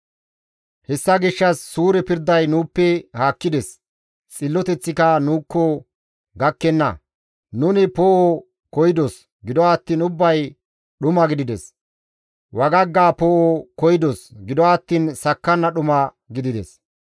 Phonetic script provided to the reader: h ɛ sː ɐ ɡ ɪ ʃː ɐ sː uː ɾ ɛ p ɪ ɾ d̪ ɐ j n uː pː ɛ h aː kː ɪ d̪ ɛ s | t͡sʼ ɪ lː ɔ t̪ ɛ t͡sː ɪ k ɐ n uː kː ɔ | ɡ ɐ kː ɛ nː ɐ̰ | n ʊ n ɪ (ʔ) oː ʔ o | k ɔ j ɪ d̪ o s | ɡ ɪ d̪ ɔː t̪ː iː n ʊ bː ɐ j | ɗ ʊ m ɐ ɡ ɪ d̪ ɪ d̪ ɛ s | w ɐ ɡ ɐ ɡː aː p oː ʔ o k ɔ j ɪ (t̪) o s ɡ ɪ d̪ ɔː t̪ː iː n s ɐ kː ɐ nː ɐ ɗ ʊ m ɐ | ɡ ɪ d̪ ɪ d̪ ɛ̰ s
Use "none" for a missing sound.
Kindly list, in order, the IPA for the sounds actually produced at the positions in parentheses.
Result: p, d̪

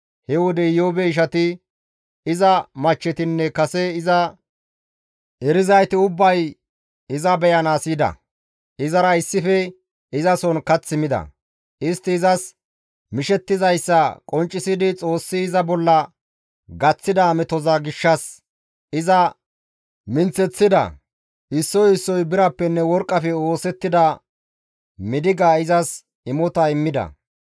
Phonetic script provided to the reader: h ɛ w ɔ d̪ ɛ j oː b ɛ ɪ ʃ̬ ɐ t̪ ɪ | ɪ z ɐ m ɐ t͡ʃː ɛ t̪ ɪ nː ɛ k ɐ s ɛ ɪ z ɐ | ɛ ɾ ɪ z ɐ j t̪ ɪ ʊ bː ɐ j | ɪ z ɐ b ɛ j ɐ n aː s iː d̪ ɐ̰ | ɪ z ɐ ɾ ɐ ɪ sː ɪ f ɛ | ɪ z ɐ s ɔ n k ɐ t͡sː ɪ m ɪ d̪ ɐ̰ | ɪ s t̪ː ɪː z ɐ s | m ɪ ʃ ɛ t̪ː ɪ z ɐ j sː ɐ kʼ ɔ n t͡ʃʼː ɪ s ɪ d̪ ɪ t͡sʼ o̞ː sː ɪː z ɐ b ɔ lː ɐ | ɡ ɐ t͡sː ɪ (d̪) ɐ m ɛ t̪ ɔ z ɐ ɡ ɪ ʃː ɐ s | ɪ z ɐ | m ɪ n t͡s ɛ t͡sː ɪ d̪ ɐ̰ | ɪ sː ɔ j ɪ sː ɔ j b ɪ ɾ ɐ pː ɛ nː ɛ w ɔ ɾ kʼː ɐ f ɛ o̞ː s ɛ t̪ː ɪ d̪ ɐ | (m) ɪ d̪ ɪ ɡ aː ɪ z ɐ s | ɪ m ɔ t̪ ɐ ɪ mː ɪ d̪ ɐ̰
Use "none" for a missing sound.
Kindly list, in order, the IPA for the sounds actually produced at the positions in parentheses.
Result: d̪, m

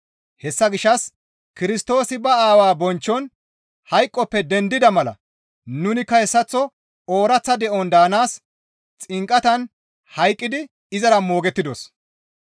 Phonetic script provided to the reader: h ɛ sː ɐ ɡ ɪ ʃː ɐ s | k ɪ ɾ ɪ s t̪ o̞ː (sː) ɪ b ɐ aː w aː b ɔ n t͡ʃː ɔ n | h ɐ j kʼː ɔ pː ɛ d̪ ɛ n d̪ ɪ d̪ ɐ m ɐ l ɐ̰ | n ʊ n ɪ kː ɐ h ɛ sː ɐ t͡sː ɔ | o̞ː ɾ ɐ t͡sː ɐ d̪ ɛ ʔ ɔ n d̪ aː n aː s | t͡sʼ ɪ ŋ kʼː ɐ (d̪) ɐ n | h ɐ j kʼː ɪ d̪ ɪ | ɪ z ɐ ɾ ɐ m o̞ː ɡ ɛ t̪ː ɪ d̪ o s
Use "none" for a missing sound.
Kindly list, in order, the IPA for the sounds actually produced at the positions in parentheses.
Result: s, t̪

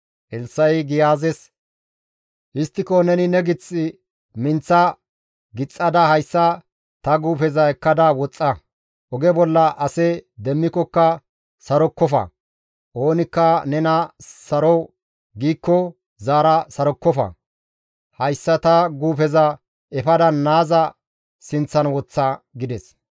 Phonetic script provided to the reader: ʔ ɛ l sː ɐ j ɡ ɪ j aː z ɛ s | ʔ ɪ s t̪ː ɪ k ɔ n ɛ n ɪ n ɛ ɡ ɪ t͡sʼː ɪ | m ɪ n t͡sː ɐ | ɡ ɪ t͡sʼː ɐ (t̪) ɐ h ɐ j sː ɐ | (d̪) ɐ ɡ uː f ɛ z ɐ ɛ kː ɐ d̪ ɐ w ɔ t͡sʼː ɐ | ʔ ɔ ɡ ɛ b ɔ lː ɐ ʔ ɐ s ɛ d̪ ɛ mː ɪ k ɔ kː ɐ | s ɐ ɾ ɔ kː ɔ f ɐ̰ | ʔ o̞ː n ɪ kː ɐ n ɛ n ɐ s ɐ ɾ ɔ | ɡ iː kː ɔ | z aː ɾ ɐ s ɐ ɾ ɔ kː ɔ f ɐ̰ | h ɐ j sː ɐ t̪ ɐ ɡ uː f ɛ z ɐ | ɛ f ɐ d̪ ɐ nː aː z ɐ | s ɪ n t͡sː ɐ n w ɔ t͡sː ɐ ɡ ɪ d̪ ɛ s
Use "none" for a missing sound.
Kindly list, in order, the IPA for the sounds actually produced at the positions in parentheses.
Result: d̪, t̪

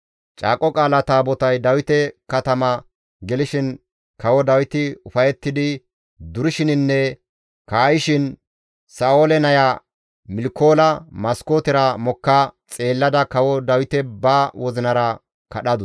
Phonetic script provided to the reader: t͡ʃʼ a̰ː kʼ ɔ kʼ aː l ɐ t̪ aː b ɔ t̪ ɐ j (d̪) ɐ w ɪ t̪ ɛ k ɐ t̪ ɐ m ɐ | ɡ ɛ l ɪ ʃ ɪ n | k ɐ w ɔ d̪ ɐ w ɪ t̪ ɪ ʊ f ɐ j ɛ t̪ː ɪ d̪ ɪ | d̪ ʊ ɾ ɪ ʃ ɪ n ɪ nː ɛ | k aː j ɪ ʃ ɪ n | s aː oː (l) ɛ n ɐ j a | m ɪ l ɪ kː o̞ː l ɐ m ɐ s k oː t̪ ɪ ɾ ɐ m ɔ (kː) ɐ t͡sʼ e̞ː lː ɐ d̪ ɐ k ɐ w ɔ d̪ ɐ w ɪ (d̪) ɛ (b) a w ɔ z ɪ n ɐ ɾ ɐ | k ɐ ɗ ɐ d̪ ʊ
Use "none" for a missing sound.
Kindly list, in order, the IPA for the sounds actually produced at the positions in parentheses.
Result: d̪, l, kː, t̪, b

